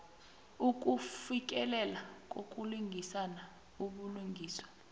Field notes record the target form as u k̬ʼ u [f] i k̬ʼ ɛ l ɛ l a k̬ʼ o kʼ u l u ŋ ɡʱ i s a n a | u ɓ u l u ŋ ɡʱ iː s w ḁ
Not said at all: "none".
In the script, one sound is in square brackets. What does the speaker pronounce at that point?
f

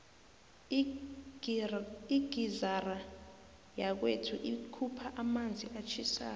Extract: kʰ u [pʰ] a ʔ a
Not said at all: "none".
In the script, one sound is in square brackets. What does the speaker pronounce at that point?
pʰ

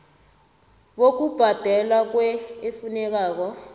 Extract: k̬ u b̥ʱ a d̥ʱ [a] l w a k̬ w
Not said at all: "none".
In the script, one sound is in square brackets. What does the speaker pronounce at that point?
ɛ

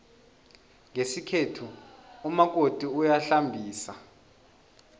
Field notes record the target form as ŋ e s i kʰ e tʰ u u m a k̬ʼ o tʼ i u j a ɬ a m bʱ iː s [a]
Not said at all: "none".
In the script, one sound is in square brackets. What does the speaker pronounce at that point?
a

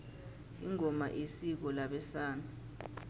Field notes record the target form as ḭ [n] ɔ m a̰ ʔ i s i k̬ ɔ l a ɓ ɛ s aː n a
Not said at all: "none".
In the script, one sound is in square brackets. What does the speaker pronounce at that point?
ŋ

